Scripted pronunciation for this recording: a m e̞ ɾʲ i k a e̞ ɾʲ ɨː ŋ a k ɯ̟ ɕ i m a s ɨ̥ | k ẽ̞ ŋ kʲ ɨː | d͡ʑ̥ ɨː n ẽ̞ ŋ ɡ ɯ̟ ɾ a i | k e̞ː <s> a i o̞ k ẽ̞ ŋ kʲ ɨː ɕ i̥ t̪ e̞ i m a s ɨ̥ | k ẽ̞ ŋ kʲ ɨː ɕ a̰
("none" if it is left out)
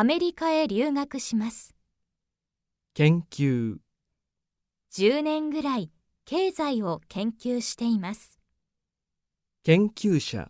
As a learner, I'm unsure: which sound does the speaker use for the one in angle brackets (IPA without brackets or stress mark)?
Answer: z